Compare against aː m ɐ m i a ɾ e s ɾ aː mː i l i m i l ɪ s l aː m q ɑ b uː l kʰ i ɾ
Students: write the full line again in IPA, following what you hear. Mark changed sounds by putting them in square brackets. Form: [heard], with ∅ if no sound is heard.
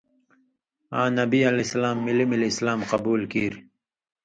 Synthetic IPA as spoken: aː [n] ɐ [b] i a [l] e s [l] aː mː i l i m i l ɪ s l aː m q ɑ b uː l [k] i ɾ